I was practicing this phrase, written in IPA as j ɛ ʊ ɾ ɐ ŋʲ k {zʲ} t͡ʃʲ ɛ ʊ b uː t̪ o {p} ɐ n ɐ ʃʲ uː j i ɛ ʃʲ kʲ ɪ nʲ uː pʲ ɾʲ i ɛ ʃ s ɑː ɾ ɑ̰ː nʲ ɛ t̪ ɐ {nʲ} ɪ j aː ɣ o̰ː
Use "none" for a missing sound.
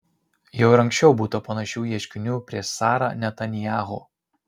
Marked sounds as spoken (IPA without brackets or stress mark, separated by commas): sʲ, p, nʲ